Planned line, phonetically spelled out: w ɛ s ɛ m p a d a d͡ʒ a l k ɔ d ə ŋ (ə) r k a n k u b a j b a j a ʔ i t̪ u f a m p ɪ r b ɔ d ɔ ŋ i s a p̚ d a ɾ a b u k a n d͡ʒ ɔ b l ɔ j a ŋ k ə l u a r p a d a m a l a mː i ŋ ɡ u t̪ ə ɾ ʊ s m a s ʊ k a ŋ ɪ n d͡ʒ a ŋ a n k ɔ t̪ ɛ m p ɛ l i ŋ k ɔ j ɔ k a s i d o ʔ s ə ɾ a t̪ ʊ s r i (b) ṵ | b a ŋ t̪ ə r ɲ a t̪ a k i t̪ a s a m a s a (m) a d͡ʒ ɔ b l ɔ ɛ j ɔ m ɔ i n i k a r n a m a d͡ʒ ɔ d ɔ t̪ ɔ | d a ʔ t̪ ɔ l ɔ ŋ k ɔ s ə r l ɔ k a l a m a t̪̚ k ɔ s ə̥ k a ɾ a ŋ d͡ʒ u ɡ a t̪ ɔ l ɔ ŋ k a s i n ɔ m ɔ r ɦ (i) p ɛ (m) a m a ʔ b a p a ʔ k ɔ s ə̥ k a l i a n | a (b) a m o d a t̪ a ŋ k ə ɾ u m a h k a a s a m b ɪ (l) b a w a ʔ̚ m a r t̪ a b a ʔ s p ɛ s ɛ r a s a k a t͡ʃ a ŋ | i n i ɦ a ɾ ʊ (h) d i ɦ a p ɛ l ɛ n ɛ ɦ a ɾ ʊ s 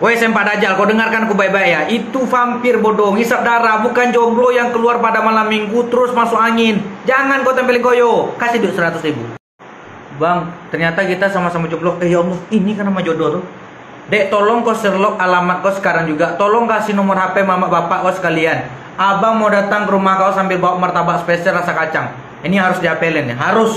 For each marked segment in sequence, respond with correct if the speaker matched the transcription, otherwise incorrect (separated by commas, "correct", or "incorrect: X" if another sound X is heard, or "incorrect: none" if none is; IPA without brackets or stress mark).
incorrect: a, correct, correct, incorrect: a, correct, correct, correct, incorrect: s